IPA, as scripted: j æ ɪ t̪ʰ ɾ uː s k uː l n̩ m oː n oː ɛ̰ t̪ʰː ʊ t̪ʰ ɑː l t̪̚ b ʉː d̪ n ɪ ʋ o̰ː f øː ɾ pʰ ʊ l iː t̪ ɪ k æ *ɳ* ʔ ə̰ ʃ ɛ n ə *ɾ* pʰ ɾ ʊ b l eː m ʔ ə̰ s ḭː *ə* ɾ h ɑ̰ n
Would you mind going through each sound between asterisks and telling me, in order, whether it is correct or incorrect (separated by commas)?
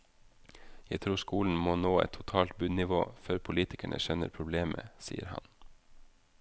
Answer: correct, correct, correct